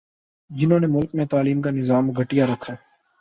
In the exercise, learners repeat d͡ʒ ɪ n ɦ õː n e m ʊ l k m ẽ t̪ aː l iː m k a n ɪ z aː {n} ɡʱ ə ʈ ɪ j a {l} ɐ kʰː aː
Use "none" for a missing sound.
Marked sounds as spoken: m, ɾ

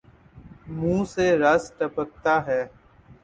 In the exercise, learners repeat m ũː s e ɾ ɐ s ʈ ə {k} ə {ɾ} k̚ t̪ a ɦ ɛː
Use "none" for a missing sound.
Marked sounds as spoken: p, none

